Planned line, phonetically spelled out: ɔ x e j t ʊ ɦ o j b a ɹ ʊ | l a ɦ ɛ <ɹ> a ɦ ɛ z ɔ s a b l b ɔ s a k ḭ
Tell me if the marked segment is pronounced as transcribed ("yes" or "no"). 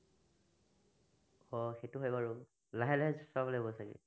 no